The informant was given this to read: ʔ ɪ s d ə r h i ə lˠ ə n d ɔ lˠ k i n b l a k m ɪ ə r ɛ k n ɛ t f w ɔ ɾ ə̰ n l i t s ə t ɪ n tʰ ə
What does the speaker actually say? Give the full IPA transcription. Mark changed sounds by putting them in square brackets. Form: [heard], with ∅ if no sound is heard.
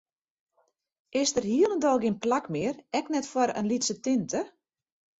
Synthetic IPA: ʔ ɪ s d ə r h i ə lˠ ə n d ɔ lˠ [ɡ] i n [p] l a k m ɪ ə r ɛ k n ɛ t f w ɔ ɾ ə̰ n l i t s ə t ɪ n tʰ ə